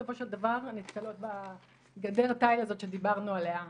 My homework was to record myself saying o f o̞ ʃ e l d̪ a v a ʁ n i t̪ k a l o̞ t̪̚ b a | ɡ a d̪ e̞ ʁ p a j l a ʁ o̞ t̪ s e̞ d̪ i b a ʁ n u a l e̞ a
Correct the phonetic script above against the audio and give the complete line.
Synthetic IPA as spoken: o f o̞ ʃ e l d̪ a v a ʁ n i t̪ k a l o̞ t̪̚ b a | ɡ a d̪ e̞ ʁ t a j l a z o̞ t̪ ʃ e̞ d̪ i b a ʁ n u a l e̞ a